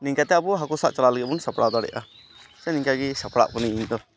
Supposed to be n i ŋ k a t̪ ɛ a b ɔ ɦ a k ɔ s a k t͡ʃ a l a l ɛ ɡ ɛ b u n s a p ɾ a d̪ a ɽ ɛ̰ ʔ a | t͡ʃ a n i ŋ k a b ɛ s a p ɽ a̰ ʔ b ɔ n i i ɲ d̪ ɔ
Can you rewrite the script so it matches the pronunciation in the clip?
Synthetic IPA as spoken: n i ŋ k a t̪ ɛ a b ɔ ɦ a k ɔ s a ʔ t͡ʃ a l a l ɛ ɡ ɛ b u n s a p ɽ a d̪ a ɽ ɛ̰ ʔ a | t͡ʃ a n i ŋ k a ɡ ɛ s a p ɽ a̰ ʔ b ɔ n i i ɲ d̪ ɔ